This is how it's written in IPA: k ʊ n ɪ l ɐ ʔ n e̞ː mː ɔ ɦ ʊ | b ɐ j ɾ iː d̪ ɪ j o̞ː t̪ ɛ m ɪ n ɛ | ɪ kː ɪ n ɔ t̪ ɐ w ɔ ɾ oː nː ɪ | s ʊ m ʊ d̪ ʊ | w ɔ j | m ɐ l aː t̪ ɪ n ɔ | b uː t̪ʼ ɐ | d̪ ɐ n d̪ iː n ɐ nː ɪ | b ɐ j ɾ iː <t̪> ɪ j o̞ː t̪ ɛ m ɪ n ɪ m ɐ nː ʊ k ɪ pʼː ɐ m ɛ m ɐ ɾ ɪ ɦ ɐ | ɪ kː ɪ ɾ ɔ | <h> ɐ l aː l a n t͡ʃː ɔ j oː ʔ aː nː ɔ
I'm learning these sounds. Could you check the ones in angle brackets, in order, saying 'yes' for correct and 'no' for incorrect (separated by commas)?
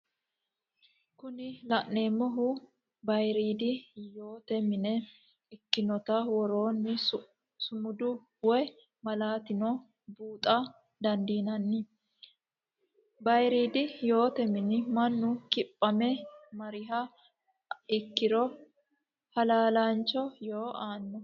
no, yes